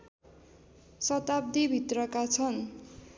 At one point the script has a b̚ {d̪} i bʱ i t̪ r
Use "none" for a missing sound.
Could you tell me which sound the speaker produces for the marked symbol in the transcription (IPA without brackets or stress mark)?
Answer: d̪